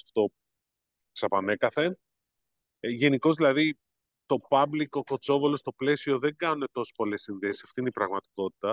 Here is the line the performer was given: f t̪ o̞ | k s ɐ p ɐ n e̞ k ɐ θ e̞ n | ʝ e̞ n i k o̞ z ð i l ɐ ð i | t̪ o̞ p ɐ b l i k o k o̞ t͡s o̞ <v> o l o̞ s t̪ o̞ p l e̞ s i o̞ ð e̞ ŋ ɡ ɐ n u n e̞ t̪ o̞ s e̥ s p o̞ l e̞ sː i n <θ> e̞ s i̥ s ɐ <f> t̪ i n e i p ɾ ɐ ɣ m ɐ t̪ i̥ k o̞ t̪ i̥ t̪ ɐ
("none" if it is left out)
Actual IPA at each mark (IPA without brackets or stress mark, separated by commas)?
v, ð, f